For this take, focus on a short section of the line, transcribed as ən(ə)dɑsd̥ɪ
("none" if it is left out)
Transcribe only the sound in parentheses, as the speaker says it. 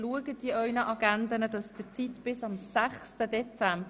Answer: ə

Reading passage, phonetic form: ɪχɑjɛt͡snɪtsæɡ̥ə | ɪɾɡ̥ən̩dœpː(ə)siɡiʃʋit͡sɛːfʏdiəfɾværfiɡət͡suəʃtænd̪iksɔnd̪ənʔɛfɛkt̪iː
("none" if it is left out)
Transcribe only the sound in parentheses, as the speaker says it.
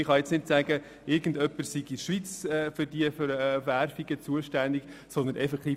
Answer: ə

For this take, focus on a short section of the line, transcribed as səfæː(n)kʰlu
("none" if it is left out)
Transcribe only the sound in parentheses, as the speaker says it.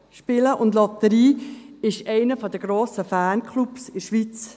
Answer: n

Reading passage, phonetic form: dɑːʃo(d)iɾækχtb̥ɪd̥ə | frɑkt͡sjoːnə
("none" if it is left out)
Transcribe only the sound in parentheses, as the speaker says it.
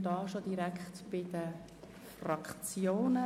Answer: d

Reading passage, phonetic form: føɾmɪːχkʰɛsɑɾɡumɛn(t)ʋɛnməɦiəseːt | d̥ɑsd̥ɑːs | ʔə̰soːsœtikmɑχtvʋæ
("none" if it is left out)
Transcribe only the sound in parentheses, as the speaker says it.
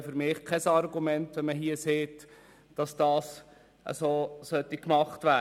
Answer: t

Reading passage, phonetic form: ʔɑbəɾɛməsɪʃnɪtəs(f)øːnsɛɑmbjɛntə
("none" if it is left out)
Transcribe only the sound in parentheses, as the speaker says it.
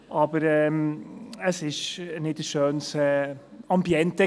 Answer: ʃ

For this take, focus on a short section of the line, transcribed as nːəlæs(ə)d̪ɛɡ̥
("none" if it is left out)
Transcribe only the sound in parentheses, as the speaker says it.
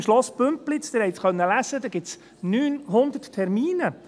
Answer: ə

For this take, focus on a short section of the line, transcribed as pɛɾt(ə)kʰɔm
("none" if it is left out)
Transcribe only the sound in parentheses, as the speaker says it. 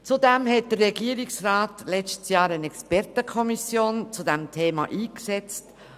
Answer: ə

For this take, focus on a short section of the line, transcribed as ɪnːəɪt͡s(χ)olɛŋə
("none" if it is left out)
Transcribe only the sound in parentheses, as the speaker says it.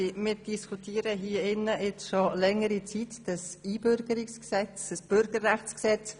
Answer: ʃ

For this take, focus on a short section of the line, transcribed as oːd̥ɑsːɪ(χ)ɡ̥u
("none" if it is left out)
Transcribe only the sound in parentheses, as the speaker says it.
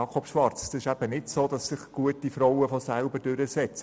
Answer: χ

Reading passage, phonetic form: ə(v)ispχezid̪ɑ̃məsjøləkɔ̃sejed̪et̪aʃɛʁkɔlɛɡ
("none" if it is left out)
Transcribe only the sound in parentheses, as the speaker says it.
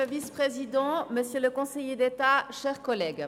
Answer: v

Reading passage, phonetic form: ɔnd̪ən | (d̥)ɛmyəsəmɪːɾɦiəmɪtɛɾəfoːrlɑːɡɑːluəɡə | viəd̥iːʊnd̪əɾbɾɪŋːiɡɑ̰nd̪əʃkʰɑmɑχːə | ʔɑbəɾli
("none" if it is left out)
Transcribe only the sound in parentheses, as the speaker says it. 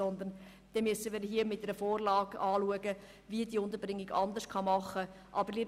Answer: d̥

